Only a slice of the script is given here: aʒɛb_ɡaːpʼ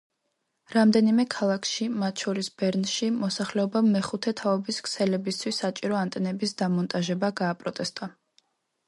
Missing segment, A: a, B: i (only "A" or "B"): A